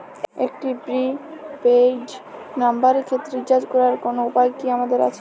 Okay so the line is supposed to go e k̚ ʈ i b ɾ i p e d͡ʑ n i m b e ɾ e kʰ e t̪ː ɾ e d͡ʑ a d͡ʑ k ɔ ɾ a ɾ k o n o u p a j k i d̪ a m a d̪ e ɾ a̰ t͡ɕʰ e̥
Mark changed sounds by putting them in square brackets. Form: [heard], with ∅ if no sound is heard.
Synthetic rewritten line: e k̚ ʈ i b ɾ i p e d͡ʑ n [a] m b [a] ɾ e kʰ e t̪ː ɾ e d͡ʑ a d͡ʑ k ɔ ɾ a ɾ k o n o u p a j k i [∅] a m a d̪ e ɾ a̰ t͡ɕʰ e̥